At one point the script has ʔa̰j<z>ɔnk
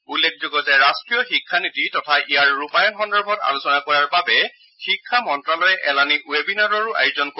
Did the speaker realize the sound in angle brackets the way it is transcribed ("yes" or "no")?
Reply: yes